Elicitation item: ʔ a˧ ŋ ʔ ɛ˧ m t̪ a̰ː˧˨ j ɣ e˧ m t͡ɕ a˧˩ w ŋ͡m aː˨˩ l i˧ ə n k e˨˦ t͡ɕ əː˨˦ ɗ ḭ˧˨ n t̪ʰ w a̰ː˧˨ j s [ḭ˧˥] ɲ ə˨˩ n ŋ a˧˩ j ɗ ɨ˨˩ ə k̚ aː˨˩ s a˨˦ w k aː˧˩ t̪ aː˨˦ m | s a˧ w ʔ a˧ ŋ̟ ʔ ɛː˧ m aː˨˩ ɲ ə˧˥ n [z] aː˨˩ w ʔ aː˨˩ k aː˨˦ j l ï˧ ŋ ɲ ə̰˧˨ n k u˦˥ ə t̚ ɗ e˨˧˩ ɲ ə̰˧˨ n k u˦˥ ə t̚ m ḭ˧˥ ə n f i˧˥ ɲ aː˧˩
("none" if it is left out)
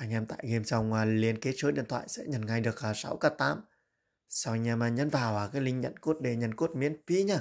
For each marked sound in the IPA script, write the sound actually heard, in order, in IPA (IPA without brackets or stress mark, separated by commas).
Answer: ɛ̰˧˥, v